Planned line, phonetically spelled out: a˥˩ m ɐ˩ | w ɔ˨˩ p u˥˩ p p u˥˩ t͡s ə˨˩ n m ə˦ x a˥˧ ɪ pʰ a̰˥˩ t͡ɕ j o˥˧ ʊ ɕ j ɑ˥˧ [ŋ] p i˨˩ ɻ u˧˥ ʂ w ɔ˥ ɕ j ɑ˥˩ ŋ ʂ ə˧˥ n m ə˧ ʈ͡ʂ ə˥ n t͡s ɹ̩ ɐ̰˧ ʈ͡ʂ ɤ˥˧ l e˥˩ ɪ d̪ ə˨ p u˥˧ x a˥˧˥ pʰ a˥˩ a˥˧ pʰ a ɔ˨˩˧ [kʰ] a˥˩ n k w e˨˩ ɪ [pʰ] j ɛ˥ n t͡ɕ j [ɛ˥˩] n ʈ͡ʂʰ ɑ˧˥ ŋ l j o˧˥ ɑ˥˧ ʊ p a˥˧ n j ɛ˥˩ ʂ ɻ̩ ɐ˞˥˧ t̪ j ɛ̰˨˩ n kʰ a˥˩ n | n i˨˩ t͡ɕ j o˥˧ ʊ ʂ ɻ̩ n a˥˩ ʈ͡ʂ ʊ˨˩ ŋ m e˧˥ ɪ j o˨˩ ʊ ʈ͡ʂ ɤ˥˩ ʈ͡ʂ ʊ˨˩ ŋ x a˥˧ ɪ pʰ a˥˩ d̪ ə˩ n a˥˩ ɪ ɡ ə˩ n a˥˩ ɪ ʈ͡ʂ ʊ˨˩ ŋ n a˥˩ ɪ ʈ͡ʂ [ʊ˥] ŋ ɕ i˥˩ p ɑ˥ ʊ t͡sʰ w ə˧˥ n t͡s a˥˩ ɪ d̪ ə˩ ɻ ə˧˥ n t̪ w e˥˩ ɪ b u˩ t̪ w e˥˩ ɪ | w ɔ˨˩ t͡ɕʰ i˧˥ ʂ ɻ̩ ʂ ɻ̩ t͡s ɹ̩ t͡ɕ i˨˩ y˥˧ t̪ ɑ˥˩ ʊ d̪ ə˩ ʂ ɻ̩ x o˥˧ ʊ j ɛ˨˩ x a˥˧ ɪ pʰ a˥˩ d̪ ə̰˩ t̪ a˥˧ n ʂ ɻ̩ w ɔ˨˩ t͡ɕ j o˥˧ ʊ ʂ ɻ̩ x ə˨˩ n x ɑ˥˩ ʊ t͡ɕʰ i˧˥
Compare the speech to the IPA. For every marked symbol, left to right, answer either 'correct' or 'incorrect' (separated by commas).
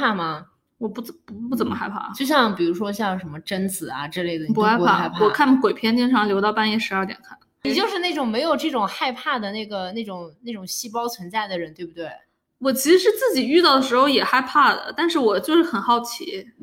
correct, correct, correct, incorrect, incorrect